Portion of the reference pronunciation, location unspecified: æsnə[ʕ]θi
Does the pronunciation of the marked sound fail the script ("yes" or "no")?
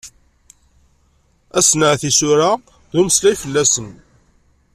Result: no